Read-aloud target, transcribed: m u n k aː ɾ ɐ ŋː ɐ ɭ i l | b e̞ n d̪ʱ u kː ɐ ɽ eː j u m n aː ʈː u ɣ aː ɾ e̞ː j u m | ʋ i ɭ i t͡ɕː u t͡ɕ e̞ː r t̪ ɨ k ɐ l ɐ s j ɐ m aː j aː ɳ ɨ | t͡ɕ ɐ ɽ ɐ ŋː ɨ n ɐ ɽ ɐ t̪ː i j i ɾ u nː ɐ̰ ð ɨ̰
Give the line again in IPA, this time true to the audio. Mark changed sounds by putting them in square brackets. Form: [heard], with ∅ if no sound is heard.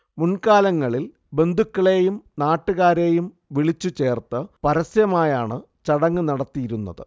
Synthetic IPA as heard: m u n k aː [l] ɐ ŋː ɐ ɭ i l | b e̞ n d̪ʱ u kː ɐ [ɭ] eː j u m n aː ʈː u ɣ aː ɾ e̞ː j u m | ʋ i ɭ i t͡ɕː u t͡ɕ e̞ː r t̪ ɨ [p] ɐ [ɾ] ɐ s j ɐ m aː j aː ɳ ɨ | t͡ɕ ɐ ɽ ɐ ŋː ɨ n ɐ ɽ ɐ t̪ː i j i ɾ u nː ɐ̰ ð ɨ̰

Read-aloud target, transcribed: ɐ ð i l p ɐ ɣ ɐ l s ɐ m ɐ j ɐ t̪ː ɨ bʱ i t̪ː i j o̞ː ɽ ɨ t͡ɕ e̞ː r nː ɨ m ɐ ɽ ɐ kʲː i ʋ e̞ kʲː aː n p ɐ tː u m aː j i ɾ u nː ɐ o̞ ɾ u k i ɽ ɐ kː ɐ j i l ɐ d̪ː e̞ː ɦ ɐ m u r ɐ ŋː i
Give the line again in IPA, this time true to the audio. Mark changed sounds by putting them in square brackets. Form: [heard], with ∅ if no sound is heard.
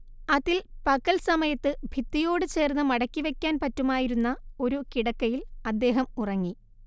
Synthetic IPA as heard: ɐ ð i l p ɐ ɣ ɐ l s ɐ m ɐ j ɐ t̪ː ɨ bʱ i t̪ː i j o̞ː ɽ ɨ t͡ɕ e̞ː r nː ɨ m ɐ ɽ ɐ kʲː i ʋ e̞ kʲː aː n p ɐ tː u m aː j i ɾ u nː ɐ o̞ ɾ u k i ɽ ɐ kː ɐ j i l ɐ d̪ː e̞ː ɦ ɐ m u r ɐ ŋː i

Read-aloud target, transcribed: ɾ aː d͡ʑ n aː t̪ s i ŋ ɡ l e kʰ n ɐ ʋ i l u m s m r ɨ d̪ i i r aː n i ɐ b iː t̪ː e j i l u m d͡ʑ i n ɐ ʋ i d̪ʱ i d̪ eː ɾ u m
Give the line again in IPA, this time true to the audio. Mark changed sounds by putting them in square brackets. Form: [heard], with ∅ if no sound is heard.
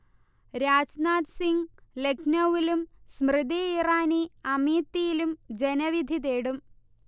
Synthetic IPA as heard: ɾ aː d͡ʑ n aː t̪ s i ŋ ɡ l e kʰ n ɐ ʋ i l u m s m r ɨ d̪ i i r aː n i ɐ [m] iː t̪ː [i] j i l u m d͡ʑ [e] n ɐ ʋ i d̪ʱ i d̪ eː [ɽ] u m

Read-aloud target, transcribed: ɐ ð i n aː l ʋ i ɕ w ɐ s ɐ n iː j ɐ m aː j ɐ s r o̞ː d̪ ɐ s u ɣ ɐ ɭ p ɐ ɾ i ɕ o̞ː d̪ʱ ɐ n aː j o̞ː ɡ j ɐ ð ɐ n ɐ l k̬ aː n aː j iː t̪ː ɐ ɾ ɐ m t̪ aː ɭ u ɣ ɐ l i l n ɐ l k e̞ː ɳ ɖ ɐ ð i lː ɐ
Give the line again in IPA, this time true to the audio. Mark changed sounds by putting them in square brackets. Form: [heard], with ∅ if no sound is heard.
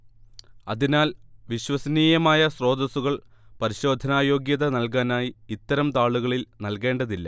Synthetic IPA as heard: ɐ ð i n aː l ʋ i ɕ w ɐ s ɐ n iː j ɐ m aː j ɐ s r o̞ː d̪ ɐ s u ɣ ɐ ɭ p ɐ ɾ i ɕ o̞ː d̪ʱ ɐ n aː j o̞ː ɡ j ɐ ð ɐ n ɐ l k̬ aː n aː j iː t̪ː ɐ ɾ ɐ m t̪ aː ɭ u ɣ ɐ [ɭ] i l n ɐ l k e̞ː ɳ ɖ ɐ ð i lː ɐ

